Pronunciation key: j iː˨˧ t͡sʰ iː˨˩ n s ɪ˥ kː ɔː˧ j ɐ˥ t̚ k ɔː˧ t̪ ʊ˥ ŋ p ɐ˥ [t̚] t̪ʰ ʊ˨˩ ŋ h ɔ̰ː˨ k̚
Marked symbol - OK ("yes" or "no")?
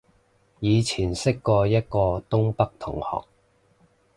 no